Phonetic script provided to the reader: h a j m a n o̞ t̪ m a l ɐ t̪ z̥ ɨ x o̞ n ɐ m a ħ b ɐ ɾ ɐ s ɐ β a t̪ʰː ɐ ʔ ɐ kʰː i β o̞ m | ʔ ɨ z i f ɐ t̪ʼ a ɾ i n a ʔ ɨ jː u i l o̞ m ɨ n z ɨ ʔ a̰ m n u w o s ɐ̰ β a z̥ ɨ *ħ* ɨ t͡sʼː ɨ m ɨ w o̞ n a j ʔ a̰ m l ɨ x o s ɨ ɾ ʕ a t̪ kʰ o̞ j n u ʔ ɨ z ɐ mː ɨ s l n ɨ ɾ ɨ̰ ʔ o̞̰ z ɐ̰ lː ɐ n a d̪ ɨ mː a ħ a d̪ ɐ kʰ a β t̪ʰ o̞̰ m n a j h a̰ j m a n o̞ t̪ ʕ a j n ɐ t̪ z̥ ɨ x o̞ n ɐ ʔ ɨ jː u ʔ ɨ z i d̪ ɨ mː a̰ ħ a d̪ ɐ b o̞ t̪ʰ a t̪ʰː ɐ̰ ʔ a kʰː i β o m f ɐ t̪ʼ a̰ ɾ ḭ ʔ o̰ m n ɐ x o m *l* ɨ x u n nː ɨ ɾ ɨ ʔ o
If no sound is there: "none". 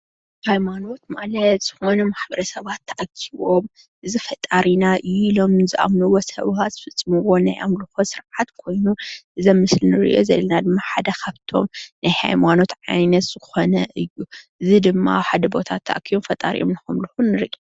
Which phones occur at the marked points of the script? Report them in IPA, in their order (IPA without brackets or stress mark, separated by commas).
f, l